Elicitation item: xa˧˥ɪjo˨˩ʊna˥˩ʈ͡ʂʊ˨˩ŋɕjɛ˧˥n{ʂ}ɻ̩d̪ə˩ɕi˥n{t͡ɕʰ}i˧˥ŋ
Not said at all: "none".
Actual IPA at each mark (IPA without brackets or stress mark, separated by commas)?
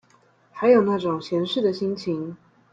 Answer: ʂ, t͡ɕʰ